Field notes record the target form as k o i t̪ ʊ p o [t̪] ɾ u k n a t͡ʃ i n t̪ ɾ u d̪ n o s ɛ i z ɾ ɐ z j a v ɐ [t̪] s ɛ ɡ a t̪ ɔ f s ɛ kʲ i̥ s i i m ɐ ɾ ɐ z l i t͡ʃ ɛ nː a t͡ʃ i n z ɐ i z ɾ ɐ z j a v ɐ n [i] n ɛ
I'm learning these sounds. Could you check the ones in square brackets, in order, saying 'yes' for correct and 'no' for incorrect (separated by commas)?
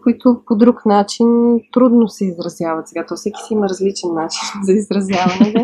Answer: no, yes, no